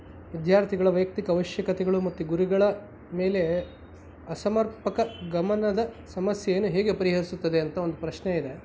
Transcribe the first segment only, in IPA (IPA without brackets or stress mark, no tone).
ʋ